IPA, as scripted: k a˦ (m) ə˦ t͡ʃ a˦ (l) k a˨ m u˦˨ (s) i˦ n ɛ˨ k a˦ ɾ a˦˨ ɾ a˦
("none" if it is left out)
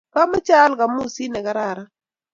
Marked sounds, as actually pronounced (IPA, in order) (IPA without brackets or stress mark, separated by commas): m, l, s